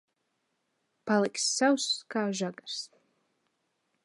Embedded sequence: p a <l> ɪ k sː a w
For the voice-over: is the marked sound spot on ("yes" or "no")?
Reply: yes